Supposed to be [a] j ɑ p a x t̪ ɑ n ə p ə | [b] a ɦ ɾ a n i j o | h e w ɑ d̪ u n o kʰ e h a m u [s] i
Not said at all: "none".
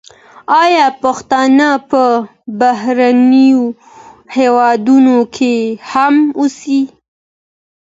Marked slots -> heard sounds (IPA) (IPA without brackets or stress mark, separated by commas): ɑ, b, s